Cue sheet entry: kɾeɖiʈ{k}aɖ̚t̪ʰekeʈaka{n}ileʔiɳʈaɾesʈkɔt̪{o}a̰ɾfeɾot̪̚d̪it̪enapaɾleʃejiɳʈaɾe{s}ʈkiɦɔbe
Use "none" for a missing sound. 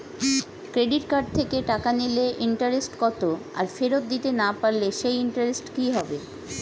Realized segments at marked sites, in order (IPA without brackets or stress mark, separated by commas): k, n, o, s